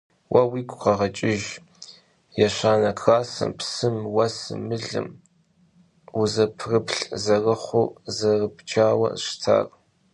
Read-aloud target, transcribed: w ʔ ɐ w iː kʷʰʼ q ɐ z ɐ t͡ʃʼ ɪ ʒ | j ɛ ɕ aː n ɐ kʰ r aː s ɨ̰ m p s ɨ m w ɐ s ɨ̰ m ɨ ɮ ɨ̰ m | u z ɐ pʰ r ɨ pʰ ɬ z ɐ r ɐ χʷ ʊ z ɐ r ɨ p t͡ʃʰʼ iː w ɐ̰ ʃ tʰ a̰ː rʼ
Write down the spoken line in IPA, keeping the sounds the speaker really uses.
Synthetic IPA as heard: w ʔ ɐ w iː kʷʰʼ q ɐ ʁ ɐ t͡ʃʼ ɪ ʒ | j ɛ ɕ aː n ɐ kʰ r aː s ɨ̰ m p s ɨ m w ɐ s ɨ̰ m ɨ ɮ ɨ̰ m | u z ɐ pʰ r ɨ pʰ ɬ z ɐ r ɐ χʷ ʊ z ɐ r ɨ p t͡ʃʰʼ aː w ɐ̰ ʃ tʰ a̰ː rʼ